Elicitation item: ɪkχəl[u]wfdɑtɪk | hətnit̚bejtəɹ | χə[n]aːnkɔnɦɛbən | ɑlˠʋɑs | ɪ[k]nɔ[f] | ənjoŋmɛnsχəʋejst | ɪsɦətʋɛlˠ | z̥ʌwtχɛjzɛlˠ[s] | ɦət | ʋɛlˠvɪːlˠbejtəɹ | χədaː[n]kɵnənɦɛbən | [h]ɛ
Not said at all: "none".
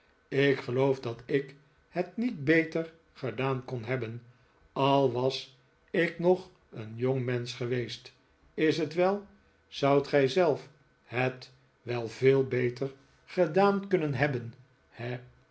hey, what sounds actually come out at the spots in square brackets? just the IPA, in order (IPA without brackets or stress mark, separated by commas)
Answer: o, d, k, χ, f, n, h